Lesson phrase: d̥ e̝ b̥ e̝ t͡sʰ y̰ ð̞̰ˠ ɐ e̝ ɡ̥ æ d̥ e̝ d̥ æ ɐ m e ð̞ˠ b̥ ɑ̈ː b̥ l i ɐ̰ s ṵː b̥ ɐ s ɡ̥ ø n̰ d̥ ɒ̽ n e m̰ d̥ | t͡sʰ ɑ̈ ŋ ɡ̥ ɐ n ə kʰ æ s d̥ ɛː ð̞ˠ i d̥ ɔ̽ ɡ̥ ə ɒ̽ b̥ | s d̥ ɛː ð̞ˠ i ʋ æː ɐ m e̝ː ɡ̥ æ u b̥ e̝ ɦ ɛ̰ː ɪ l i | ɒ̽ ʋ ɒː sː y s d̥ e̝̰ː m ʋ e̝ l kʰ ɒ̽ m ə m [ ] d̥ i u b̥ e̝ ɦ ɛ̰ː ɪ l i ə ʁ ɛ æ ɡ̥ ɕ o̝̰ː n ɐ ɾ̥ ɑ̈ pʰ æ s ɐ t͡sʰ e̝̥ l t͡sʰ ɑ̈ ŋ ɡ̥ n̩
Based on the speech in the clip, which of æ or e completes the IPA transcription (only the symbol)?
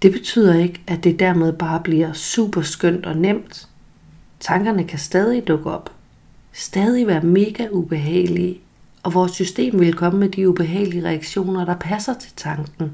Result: e